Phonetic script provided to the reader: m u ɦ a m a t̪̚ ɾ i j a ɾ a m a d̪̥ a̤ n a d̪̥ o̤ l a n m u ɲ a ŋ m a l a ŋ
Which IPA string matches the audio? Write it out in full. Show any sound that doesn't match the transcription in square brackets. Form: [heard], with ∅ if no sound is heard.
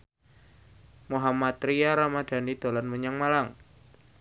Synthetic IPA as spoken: m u ɦ a m a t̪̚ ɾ i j a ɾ a m a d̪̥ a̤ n [i] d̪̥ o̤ l a n m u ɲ a ŋ m a l a ŋ